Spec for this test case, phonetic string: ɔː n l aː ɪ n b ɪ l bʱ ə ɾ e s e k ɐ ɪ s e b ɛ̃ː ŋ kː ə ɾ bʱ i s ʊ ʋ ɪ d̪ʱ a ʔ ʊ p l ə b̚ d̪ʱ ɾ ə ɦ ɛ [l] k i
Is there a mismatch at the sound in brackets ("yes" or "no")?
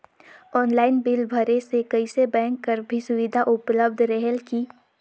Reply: no